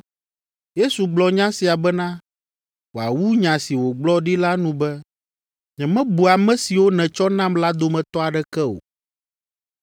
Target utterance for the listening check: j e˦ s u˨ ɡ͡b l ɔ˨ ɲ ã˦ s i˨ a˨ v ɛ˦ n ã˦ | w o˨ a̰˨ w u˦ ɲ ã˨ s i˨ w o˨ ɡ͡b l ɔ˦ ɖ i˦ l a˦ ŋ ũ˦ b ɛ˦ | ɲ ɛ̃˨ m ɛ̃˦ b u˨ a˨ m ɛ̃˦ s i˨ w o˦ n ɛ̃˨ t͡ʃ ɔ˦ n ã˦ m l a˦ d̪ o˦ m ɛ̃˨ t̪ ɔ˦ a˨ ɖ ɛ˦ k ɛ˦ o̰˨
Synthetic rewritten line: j e˦ s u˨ ɡ͡b l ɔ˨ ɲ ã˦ s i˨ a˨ b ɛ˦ n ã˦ | w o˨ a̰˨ w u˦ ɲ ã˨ s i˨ w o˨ ɡ͡b l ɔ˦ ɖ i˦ l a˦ n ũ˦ b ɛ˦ | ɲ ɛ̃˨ m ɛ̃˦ b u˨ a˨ m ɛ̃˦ s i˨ w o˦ n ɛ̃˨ t͡ʃ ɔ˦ n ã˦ m l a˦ d̪ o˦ m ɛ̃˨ t̪ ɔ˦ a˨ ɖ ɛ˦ k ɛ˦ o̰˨